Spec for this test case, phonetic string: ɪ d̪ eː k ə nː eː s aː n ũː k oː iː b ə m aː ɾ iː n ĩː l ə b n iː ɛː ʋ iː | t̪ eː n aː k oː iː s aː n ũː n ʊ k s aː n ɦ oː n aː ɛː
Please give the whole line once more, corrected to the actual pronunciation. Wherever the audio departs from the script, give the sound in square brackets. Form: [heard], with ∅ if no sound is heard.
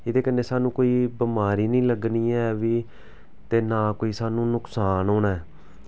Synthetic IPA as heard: ɪ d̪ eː k ə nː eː s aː n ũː k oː iː b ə m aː ɾ iː n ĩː l ə [ɡ] n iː ɛː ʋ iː | t̪ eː n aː k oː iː s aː n ũː n ʊ k s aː n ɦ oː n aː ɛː

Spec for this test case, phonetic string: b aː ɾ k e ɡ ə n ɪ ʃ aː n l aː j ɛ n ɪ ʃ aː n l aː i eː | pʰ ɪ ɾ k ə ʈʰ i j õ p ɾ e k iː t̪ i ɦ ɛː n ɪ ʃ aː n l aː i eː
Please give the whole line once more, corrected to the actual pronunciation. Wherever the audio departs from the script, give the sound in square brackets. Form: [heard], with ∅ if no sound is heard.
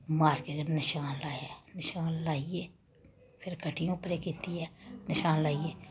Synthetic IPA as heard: [m] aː ɾ k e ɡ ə n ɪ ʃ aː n l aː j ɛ n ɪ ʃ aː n l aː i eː | pʰ ɪ ɾ k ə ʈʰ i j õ p ɾ e k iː t̪ i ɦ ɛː n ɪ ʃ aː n l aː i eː

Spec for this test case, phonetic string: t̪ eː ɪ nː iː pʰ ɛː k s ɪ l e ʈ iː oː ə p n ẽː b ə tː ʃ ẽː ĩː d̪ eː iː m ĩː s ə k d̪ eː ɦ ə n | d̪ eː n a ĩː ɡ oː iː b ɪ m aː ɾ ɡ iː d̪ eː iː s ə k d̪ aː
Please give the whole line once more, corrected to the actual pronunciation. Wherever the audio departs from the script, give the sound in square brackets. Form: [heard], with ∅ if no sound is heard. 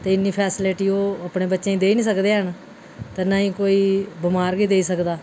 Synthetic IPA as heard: t̪ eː ɪ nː iː pʰ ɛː [∅] s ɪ l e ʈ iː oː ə p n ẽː b ə tː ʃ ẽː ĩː d̪ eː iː [n] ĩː s ə k d̪ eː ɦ ə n | [t̪] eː n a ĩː [k] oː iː b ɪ m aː ɾ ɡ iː d̪ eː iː s ə k d̪ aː

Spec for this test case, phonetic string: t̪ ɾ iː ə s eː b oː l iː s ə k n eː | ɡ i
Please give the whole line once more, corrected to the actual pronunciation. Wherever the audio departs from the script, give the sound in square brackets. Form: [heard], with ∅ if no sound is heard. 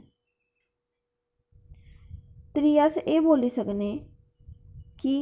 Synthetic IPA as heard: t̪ ɾ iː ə s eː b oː l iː s ə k n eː | [k] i

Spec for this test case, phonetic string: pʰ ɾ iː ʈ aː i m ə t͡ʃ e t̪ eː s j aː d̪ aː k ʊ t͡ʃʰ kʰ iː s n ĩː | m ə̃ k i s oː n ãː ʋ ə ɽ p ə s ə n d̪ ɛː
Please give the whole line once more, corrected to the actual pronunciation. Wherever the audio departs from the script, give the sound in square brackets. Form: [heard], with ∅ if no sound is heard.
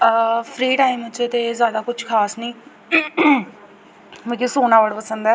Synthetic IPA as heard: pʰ ɾ iː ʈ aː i m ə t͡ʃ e t̪ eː [z] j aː d̪ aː k ʊ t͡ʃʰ kʰ [aː] s n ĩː | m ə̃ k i s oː n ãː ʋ ə ɽ p ə s ə n d̪ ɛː

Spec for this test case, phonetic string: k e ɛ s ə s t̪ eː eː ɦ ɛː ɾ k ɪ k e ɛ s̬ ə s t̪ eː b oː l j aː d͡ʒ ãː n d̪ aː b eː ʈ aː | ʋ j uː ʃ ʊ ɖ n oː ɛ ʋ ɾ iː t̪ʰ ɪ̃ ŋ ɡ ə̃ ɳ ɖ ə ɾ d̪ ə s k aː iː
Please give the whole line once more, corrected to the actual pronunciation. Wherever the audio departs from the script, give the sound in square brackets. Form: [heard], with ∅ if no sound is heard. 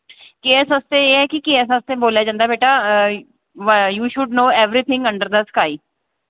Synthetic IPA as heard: k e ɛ s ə s t̪ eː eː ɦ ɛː [∅] k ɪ k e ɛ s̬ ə s t̪ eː b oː l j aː d͡ʒ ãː n d̪ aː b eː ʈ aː | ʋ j uː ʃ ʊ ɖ n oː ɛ ʋ ɾ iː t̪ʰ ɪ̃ ŋ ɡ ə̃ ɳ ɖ ə ɾ d̪ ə s k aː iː

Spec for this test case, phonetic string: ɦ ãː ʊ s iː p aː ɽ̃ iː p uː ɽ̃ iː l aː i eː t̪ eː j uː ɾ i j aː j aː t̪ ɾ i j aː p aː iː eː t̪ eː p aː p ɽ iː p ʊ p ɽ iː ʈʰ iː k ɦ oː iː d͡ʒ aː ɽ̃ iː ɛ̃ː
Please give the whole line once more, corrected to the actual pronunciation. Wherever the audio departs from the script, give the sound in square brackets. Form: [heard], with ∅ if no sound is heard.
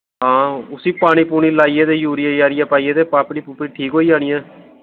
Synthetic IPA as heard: ɦ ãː ʊ s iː p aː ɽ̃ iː p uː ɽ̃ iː l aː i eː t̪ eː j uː ɾ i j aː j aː [∅] ɾ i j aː p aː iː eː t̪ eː p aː p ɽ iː p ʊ p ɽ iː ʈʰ iː k ɦ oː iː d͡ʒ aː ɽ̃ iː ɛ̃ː

